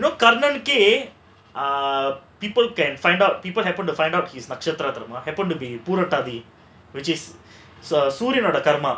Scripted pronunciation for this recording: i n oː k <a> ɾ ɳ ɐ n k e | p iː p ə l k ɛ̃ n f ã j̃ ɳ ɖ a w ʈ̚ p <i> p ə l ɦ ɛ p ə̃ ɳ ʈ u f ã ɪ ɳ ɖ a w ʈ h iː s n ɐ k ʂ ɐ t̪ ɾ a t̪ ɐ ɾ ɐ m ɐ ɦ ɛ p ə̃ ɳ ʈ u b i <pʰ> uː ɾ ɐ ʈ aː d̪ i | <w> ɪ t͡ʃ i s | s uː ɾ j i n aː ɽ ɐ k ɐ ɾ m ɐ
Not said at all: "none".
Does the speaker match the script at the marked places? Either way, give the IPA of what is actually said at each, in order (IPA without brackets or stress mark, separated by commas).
ɐ, iː, p, ʋ